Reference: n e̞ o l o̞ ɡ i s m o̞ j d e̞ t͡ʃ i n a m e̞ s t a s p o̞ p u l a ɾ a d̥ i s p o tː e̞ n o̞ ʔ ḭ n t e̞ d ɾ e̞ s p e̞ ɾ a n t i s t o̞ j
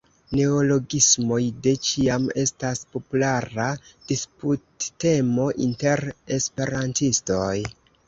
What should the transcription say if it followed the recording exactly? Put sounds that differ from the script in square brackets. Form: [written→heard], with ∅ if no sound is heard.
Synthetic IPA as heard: n e̞ o l o̞ ɡ i s m o̞ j d e̞ t͡ʃ i [n→∅] a m e̞ s t a s p o̞ p u l a ɾ a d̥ i s p [o→u] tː e̞ [n→m] o̞ ʔ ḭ n t e̞ [d→∅] ɾ e̞ s p e̞ ɾ a n t i s t o̞ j

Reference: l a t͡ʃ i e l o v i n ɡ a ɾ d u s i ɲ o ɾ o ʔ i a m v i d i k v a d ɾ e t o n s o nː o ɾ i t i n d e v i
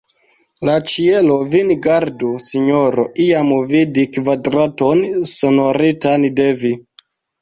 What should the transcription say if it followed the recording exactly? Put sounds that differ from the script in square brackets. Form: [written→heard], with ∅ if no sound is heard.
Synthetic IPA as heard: l a t͡ʃ i e l o v i n ɡ a ɾ d u s i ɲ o ɾ o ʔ i a m v i d i k v a d ɾ [e→a] t o n s o [nː→n] o ɾ i t [i→a] n d e v i

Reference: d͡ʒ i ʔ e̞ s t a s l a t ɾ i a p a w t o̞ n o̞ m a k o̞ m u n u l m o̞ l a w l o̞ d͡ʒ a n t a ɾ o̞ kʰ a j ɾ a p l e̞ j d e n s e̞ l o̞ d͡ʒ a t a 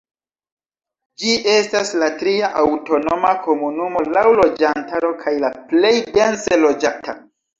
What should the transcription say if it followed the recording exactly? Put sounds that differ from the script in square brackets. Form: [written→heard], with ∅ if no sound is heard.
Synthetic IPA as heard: d͡ʒ i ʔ e̞ s t a s l a t ɾ i a [p→ʔ] a w t o̞ n o̞ m a k o̞ m u n u [l→∅] m o̞ l a w l o̞ d͡ʒ a n t a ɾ o̞ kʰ a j [ɾ→l] a p l e̞ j d e n s e̞ l o̞ d͡ʒ a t a

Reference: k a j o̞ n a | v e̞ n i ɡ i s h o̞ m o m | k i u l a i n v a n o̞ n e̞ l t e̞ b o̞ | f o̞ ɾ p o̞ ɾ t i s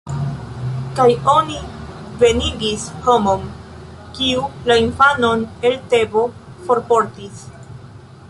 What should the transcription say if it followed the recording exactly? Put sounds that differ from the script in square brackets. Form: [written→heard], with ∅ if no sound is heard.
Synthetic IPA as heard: k a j o̞ n [a→i] | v e̞ n i ɡ i s h o̞ m o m | k i u l a i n [v→f] a n o̞ n e̞ l t e̞ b o̞ | f o̞ ɾ p o̞ ɾ t i s

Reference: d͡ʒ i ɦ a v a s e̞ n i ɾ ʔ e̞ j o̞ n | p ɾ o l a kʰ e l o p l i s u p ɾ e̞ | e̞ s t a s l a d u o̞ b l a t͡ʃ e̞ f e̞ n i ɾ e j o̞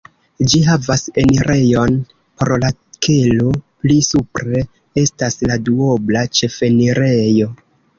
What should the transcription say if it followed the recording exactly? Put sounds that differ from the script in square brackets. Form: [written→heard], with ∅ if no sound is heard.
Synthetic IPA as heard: d͡ʒ i ɦ a v a s e̞ n i ɾ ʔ e̞ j o̞ n | p ɾ o l a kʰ e l o p l i s u p ɾ e̞ | e̞ s t a s l a d u o̞ b l a t͡ʃ e̞ f e̞ n i ɾ e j o̞

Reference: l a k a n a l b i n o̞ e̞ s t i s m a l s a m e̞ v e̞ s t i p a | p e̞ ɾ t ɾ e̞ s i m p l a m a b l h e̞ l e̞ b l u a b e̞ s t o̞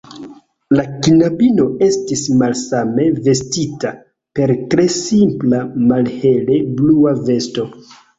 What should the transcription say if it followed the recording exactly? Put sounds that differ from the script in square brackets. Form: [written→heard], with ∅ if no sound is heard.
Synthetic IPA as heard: l a k [a→i] n a [l→∅] b i n o̞ e̞ s t i s m a l s a m e̞ v e̞ s t i [p→t] a | p e̞ ɾ t ɾ e̞ s i m p l a m a [b→∅] l h e̞ l e̞ b l u a [b→v] e̞ s t o̞

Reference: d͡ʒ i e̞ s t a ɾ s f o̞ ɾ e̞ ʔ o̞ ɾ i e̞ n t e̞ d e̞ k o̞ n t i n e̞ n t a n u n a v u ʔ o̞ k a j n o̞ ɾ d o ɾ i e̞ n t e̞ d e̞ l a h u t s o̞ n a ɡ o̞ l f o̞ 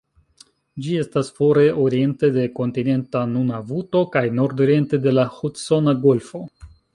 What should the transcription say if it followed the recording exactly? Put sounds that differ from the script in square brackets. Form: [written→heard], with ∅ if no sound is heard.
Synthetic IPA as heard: d͡ʒ i e̞ s t a [ɾ→∅] s f o̞ ɾ e̞ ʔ o̞ ɾ i e̞ n t e̞ d e̞ k o̞ n t i n e̞ n t a n u n a v u [ʔ→t] o̞ k a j n o̞ ɾ d o ɾ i e̞ n t e̞ d e̞ l a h u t s o̞ n a ɡ o̞ l f o̞

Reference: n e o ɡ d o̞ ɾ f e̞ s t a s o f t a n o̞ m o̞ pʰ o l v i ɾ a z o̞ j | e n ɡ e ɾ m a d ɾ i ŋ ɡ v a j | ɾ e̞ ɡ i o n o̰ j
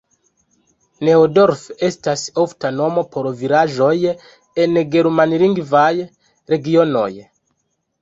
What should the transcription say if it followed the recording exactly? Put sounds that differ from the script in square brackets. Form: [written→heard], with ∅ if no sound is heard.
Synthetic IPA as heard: n e o [ɡ→∅] d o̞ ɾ f e̞ s t a s o f t a n o̞ m o̞ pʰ o [l→ɾ] v i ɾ a [z→ʒ] o̞ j | e n ɡ e ɾ m a [d→n] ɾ i ŋ ɡ v a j | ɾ e̞ ɡ i o n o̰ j

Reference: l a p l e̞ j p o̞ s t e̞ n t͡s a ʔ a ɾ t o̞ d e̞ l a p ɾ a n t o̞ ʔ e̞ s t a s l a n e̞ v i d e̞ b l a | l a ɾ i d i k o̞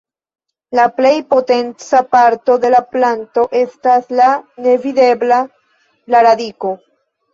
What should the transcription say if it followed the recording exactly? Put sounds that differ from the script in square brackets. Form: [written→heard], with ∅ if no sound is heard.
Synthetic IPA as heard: l a p l e̞ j p o̞ [s→∅] t e̞ n t͡s a [ʔ→p] a ɾ t o̞ d e̞ l a p [ɾ→l] a n t o̞ ʔ e̞ s t a s l a n e̞ v i d e̞ b l a | l a ɾ [i→a] d i k o̞

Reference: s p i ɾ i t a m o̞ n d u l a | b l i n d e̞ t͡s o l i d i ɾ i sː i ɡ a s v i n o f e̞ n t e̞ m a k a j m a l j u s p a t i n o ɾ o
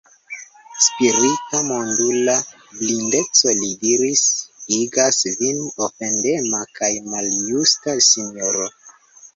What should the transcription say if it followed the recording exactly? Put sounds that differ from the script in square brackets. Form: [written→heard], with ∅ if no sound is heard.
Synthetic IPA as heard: s p i ɾ i t a m o̞ n d u l a | b l i n d e̞ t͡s o l i d i ɾ i [sː→s] i ɡ a s v i n o f e̞ n [t→d] e̞ m a k a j m a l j u s [p→t] a [t→s] i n o ɾ o

